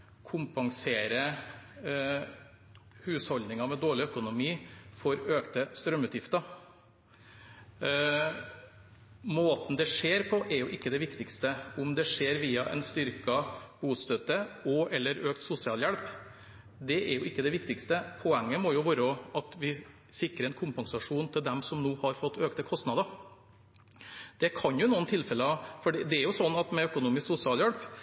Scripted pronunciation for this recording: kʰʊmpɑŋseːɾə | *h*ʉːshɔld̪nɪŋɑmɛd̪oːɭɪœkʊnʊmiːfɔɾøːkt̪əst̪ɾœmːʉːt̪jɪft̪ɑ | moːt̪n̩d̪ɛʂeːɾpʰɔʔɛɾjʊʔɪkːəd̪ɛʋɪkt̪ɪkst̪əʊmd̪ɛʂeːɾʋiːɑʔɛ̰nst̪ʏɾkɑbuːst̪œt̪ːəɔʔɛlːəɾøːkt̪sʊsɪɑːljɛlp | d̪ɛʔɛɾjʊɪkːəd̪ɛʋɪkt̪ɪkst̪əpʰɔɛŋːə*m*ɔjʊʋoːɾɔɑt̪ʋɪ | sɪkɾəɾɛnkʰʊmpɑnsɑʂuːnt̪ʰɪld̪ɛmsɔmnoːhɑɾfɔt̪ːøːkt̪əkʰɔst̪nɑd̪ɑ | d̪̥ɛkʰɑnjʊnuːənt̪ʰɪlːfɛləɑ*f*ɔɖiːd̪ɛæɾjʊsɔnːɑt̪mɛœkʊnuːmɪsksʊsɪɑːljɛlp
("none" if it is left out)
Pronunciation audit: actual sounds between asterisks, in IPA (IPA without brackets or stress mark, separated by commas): h, m, f